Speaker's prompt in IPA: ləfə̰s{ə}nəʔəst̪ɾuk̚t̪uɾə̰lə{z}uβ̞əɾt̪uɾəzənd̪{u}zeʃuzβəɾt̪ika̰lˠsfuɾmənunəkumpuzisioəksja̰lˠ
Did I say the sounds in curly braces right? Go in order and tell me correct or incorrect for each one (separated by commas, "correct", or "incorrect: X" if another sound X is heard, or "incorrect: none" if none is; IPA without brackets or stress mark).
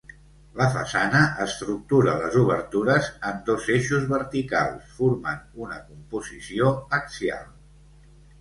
incorrect: a, correct, incorrect: o